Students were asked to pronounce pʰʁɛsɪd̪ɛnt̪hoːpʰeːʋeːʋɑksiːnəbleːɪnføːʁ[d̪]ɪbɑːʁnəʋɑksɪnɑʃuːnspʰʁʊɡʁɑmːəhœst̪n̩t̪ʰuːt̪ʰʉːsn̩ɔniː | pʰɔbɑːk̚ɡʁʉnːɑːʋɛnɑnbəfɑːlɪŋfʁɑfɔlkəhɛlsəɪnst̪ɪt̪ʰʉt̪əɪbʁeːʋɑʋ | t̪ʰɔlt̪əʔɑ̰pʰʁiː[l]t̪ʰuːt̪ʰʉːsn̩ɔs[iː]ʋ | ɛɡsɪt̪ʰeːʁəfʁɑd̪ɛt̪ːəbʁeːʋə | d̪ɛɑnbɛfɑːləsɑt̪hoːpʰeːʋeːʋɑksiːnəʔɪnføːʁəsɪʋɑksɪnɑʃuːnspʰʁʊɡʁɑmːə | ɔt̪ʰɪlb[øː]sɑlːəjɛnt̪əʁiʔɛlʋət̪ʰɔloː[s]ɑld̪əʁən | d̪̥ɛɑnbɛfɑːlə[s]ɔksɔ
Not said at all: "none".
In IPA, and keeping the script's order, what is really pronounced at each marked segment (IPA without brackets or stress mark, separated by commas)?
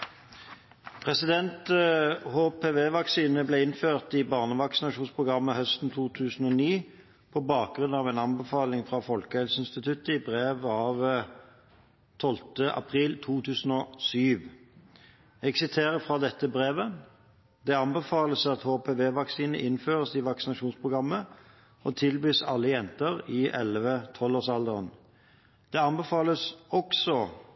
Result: t̪, l, yː, yː, s, s